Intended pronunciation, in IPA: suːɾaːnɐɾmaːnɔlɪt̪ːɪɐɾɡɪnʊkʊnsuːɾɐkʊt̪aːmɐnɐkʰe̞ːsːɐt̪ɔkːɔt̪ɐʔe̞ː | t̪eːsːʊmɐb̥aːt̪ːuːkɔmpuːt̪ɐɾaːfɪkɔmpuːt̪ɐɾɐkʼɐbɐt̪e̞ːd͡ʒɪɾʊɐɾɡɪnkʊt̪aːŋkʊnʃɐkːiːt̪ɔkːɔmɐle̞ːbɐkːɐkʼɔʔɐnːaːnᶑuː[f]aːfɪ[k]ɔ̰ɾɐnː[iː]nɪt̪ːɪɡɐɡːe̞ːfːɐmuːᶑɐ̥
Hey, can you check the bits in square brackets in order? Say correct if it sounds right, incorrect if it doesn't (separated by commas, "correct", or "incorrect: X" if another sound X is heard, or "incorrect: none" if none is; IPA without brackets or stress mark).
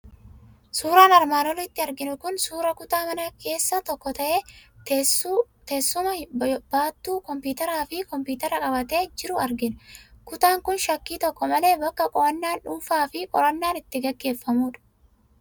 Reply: correct, incorrect: kʼ, incorrect: aː